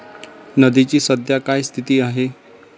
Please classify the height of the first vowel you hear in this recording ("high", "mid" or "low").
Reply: mid